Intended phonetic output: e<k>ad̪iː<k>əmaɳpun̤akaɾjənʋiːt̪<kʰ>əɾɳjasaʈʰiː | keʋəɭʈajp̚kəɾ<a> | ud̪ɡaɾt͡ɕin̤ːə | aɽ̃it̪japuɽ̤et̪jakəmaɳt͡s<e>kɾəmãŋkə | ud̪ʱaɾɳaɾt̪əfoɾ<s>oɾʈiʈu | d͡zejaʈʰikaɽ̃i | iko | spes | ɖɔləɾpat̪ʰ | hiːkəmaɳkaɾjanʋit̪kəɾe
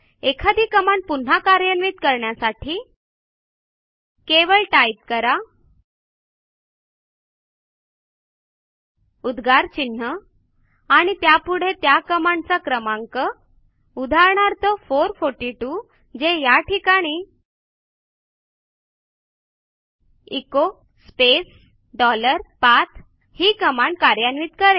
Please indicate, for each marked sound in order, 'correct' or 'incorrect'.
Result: incorrect, correct, incorrect, correct, incorrect, incorrect

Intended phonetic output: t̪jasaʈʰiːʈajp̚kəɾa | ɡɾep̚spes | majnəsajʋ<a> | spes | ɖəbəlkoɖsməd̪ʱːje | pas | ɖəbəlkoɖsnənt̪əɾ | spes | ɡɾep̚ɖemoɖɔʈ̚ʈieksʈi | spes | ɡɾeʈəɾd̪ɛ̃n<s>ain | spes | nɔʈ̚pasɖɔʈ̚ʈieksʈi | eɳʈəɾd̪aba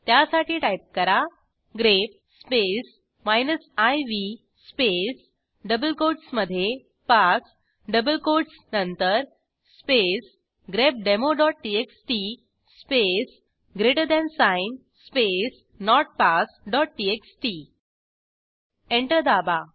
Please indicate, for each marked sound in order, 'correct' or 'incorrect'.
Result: incorrect, correct

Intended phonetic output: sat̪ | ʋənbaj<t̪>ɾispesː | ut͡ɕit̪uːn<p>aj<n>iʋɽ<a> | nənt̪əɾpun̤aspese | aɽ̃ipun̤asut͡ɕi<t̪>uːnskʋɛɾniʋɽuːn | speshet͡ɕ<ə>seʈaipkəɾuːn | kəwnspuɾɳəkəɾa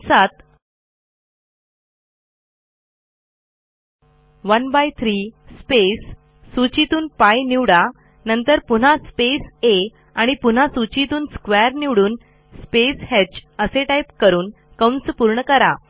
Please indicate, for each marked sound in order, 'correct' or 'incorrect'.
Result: incorrect, correct, correct, correct, correct, correct

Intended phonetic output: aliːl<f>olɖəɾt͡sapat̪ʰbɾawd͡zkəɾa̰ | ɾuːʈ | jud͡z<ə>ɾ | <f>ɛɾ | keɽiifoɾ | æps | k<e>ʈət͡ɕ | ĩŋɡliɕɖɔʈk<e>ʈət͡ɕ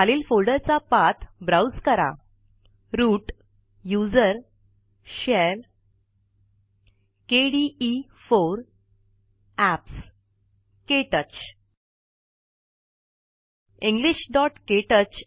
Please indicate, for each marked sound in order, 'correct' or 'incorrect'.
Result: correct, correct, incorrect, correct, correct

